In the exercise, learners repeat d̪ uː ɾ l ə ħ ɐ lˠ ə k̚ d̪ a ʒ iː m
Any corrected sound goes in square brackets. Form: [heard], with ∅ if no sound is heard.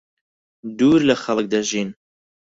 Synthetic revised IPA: d̪ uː ɾ l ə [x] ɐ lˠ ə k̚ d̪ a ʒ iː [n]